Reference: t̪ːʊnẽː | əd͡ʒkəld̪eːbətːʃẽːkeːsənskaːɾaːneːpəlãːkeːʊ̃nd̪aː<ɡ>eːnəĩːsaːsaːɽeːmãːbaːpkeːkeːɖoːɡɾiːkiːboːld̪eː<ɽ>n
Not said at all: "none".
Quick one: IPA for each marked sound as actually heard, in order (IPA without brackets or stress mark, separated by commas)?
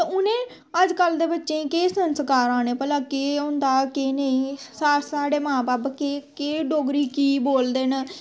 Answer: k, none